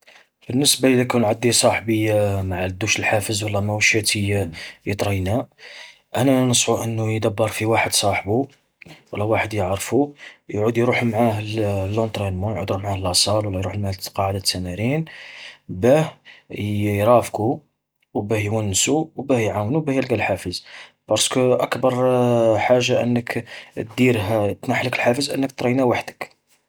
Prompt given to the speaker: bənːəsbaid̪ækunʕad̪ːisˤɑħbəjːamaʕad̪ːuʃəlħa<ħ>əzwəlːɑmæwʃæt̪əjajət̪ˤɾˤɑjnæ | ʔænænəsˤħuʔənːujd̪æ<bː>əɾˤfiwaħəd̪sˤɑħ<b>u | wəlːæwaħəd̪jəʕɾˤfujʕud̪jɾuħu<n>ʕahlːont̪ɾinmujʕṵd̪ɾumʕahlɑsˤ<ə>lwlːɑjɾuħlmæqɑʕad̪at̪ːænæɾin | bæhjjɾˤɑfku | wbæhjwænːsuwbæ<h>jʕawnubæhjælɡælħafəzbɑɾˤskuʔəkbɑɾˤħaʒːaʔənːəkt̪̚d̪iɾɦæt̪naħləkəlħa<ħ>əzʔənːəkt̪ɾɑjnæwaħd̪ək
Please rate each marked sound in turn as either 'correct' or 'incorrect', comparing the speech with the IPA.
incorrect: f, correct, correct, incorrect: m, incorrect: ɑ, correct, incorrect: f

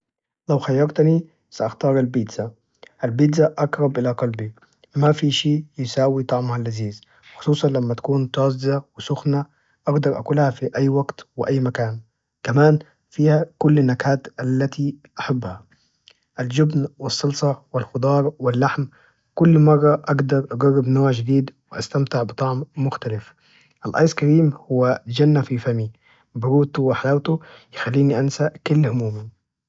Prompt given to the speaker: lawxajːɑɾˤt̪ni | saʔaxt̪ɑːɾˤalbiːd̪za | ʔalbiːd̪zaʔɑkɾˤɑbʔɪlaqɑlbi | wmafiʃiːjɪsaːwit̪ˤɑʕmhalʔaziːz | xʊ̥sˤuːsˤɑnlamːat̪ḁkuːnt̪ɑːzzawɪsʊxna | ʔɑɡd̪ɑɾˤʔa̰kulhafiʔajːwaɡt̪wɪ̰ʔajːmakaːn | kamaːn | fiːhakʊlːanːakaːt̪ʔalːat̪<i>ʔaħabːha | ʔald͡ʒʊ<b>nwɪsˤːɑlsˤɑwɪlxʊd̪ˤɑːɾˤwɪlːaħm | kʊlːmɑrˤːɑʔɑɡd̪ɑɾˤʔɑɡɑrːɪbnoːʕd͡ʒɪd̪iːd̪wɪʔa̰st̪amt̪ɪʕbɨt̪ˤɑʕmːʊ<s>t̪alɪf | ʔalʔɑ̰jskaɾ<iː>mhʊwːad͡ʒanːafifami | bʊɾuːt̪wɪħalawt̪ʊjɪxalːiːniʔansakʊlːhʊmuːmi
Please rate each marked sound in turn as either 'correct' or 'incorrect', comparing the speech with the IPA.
correct, correct, incorrect: x, correct

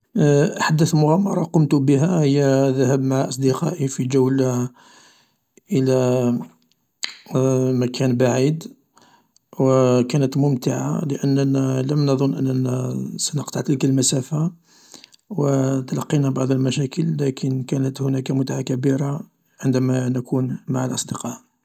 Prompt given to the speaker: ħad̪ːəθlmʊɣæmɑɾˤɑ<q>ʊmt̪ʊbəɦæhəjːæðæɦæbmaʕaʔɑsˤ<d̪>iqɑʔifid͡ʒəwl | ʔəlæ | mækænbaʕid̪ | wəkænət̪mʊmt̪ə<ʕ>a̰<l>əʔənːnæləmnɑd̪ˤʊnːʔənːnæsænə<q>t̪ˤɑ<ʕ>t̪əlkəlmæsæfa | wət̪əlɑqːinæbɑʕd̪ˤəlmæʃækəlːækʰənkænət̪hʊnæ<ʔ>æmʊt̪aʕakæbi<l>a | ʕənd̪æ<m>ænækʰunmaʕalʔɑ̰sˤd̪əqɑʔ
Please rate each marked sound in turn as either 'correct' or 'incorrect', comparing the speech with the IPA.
correct, correct, correct, correct, correct, correct, incorrect: k, incorrect: ɾ, correct

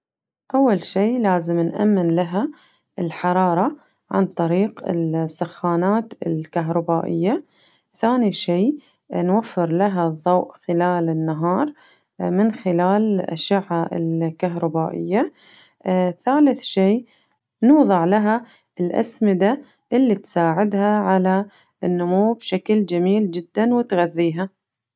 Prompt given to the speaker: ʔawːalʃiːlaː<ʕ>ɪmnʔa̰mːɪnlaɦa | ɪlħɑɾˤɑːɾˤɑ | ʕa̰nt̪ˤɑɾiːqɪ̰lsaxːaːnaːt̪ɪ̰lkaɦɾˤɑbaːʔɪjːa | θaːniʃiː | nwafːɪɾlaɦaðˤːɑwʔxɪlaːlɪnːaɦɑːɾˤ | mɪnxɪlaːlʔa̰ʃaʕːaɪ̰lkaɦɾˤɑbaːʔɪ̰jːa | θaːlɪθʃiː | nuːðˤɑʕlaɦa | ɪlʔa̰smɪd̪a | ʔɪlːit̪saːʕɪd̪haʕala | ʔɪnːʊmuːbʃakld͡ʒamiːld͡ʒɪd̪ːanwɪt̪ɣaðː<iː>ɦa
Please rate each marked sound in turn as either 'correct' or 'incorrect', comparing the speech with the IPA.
incorrect: z, correct

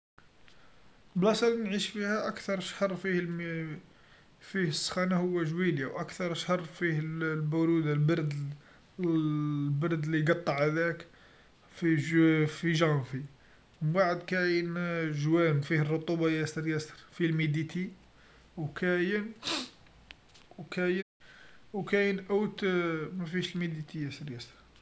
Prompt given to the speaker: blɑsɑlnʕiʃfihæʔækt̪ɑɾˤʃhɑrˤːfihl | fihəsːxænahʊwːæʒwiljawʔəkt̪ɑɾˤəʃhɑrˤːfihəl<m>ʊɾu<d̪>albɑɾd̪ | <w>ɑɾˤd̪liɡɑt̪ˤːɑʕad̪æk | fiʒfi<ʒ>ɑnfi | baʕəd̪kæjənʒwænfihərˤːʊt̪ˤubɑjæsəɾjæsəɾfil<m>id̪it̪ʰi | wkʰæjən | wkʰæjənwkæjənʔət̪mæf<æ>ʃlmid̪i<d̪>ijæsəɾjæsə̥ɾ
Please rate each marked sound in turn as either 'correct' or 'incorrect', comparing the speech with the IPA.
incorrect: b, correct, incorrect: b, correct, correct, incorrect: i, incorrect: t̪

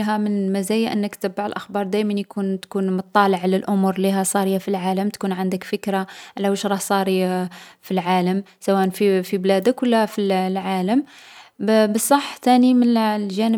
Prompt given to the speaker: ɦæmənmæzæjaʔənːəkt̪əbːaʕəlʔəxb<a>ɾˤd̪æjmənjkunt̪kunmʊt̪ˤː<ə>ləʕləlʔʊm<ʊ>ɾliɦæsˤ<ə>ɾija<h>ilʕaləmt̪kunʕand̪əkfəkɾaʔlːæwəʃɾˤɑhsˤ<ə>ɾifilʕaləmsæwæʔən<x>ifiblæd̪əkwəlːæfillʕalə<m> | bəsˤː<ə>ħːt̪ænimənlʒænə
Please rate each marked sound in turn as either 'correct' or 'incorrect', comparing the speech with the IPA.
incorrect: ɑ, incorrect: ɑ, incorrect: u, incorrect: ɑ, incorrect: f, incorrect: ɑ, incorrect: f, correct, incorrect: ɑ

